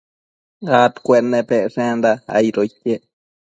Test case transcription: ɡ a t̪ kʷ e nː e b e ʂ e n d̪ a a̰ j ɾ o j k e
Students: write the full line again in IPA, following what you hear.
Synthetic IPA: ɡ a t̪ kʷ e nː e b e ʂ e n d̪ a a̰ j ɾ o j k e